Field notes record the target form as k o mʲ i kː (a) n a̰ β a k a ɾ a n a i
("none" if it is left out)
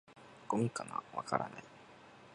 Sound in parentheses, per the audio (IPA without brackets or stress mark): a